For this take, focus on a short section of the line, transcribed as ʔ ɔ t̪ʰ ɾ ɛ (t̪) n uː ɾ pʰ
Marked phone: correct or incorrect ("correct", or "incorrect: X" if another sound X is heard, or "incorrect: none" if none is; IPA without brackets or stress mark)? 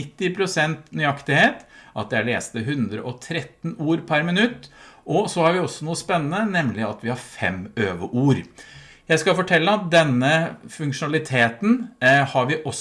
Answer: correct